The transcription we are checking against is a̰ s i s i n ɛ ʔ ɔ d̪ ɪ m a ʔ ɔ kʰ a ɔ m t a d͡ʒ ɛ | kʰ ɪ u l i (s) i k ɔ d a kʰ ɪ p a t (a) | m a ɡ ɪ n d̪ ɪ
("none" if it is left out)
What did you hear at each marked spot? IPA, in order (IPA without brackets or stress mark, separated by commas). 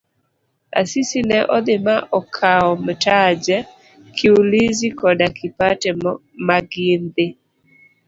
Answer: z, ɛ